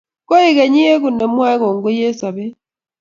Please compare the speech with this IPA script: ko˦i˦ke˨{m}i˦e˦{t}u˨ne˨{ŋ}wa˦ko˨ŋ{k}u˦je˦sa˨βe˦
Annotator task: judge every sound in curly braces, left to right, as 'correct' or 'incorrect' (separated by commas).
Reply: incorrect, incorrect, incorrect, incorrect